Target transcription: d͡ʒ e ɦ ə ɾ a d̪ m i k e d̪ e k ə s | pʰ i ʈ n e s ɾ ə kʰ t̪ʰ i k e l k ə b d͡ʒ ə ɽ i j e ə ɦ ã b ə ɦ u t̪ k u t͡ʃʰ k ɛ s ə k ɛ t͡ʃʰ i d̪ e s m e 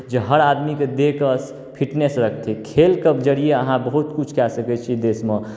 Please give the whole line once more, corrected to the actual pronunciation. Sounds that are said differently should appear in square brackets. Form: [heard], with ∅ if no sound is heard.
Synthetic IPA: d͡ʒ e ɦ ə ɾ a d̪ m i k e d̪ e k ə s | pʰ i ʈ n e s ɾ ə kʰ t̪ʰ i [kʰ] e l k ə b d͡ʒ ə ɽ i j e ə ɦ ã b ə ɦ u t̪ k u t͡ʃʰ k ɛ s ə k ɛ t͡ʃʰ i d̪ e s m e